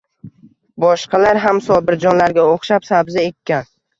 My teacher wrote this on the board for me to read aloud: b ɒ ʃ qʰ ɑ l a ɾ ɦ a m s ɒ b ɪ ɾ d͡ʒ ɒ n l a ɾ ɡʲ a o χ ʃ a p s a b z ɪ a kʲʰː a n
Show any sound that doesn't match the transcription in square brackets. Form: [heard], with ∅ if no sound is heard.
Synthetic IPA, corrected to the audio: b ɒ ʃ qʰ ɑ l a ɾ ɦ a m s ɒ b ɪ ɾ d͡ʒ ɒ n l a ɾ ɡʲ a o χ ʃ a p s a b z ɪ [e] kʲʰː a n